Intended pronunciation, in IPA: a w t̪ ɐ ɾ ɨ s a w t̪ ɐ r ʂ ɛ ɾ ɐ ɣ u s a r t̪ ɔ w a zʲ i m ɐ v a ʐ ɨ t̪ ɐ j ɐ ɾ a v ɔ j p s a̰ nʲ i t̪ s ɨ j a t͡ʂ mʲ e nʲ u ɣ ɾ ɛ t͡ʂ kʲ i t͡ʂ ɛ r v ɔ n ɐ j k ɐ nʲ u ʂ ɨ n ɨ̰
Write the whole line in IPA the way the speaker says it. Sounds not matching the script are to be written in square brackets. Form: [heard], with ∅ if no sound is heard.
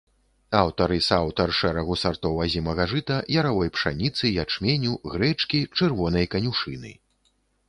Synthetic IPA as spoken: a w t̪ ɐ ɾ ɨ s a w t̪ ɐ r ʂ ɛ ɾ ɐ ɣ u s a r t̪ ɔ w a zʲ i m ɐ [ɣ] a ʐ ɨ t̪ ɐ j ɐ ɾ a v ɔ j p [ʂ] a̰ nʲ i t̪ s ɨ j a t͡ʂ mʲ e nʲ u ɣ ɾ ɛ t͡ʂ kʲ i t͡ʂ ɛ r v ɔ n ɐ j k ɐ nʲ u ʂ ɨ n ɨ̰

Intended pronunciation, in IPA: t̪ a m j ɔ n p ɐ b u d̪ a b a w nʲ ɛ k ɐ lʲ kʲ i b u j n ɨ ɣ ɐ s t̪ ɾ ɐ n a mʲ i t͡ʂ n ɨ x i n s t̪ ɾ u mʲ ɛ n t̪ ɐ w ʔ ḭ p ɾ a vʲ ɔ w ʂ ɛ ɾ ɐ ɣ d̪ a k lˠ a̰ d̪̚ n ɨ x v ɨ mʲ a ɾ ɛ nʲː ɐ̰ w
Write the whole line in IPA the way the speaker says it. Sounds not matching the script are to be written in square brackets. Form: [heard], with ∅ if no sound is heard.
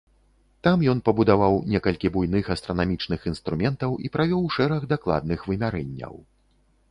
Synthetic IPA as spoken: t̪ a m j ɔ n p ɐ b u d̪ a [v] a w nʲ ɛ k ɐ lʲ kʲ i b u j n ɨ [x] ɐ s t̪ ɾ ɐ n a mʲ i t͡ʂ n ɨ x i n s t̪ ɾ u mʲ ɛ n t̪ ɐ w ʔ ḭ p ɾ a vʲ ɔ w ʂ ɛ ɾ ɐ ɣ d̪ a k lˠ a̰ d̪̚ n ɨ x v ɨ mʲ a ɾ ɛ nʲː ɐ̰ w

